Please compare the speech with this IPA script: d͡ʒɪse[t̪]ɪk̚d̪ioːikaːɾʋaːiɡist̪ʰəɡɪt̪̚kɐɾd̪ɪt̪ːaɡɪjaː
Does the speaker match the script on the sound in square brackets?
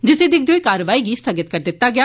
no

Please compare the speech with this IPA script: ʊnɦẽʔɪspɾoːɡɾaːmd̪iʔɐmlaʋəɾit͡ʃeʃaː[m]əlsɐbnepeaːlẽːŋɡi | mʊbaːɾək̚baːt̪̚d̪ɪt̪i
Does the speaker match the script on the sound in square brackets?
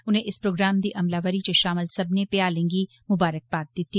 yes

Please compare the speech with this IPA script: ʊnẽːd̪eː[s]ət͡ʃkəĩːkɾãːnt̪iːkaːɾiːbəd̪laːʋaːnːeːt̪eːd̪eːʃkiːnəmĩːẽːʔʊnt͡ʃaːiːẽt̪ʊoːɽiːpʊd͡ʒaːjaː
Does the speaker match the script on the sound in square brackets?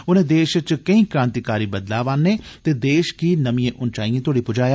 no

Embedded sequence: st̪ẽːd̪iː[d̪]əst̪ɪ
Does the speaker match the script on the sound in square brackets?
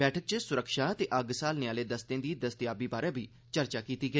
yes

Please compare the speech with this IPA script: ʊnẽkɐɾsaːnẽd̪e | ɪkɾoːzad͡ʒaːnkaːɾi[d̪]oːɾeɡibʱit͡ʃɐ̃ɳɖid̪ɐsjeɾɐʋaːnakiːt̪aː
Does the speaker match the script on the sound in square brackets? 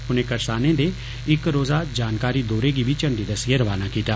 yes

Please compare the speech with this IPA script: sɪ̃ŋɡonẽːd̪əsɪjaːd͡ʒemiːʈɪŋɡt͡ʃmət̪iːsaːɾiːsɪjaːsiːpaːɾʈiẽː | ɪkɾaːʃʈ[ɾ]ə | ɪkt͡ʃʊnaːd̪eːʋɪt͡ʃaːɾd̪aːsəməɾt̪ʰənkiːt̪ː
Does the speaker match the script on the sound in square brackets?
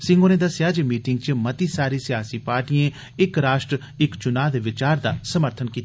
yes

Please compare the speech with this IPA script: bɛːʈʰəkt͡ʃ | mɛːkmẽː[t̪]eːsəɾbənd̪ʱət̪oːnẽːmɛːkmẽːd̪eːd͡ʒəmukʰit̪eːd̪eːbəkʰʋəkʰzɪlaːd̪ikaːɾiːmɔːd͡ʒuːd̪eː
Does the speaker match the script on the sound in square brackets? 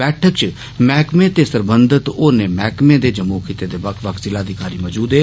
yes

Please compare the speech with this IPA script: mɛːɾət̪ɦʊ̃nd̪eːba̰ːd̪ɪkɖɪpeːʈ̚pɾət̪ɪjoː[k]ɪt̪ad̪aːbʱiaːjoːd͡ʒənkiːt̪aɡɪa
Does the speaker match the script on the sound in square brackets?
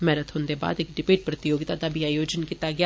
no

